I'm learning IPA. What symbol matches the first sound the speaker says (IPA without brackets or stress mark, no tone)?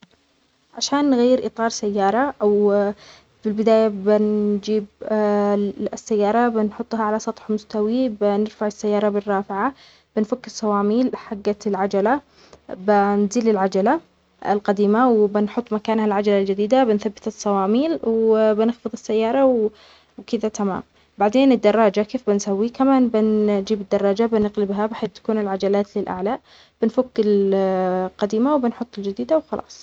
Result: ʕ